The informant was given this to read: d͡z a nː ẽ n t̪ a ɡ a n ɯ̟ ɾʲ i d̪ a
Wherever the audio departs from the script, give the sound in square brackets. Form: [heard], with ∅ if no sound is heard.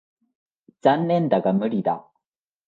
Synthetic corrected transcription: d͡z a nː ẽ n [d̪] a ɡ a [m] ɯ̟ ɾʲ i d̪ a